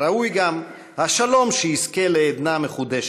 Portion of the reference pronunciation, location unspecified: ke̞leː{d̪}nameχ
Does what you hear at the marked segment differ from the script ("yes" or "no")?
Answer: no